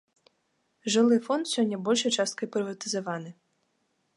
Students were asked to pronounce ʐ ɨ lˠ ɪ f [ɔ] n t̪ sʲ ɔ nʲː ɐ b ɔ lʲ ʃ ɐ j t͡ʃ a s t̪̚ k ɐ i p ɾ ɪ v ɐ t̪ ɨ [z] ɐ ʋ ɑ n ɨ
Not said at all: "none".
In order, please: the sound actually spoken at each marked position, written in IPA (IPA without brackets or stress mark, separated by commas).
ɔ, z